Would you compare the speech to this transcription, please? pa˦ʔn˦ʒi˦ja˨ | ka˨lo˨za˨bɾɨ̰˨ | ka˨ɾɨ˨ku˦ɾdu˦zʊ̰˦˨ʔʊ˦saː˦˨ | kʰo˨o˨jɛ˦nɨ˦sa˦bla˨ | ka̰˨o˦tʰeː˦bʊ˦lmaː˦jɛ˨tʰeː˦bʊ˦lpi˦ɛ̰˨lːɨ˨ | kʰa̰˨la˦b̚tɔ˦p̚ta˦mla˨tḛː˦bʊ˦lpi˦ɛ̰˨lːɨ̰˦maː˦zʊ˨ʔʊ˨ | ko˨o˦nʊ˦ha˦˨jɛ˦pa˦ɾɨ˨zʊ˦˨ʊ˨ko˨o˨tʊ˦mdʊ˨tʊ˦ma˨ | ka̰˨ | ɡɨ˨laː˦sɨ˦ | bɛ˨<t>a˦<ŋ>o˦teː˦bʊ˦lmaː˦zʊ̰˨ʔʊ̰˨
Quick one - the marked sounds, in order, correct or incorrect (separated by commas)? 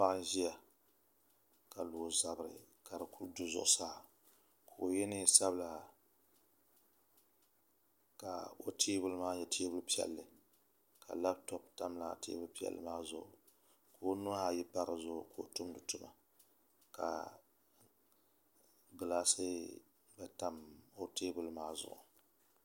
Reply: correct, incorrect